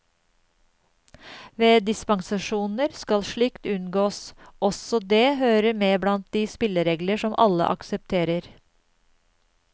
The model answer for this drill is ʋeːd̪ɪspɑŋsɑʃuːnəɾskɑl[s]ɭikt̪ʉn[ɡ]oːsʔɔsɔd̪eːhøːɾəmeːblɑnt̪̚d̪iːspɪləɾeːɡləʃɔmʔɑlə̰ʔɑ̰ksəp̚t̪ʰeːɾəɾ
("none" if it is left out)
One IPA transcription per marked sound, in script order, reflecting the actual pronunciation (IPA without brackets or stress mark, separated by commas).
ʃ, ɡ